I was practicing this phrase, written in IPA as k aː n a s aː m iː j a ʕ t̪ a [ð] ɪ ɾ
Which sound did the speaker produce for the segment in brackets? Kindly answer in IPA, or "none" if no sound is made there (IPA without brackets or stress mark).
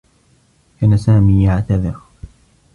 ð